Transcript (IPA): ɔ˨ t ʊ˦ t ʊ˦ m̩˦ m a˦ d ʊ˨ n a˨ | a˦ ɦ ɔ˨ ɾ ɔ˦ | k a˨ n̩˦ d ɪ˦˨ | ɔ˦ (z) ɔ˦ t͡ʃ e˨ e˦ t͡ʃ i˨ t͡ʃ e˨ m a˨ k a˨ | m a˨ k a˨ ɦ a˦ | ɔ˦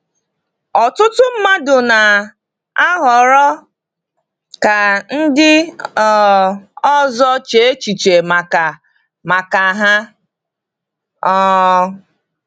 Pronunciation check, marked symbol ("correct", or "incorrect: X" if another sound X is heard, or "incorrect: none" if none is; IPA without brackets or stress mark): correct